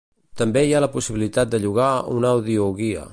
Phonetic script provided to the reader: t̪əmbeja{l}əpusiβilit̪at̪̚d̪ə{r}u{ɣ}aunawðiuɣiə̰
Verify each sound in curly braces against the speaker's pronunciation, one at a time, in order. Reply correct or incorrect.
correct, incorrect: ʎ, correct

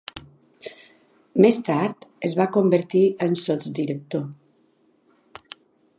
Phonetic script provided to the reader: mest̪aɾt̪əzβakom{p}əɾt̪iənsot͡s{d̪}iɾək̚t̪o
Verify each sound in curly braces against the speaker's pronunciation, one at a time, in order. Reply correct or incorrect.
incorrect: b, correct

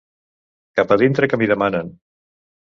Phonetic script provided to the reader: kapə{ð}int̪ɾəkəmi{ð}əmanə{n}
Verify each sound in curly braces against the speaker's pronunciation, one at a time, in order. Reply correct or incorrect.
correct, correct, correct

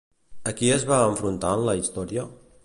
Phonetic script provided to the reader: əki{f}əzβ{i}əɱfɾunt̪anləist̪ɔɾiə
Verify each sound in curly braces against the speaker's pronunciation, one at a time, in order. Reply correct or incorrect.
incorrect: none, incorrect: a

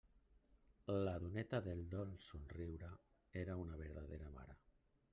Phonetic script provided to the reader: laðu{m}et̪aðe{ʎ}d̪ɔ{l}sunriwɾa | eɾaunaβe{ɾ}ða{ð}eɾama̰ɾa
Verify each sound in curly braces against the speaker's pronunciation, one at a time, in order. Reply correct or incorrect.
incorrect: n, incorrect: l, correct, correct, correct

